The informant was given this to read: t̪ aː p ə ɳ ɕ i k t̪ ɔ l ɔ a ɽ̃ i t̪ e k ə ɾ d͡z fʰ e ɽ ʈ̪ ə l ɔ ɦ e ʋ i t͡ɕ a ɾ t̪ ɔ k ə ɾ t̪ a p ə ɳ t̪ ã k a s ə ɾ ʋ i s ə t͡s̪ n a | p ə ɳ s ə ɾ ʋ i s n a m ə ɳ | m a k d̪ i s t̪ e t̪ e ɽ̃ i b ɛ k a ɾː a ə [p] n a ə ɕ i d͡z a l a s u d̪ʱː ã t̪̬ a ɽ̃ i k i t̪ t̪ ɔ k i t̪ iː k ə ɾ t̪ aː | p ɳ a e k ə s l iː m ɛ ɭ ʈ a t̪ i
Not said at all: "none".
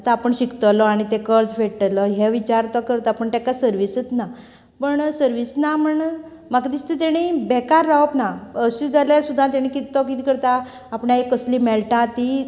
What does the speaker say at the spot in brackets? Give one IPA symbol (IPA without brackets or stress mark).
p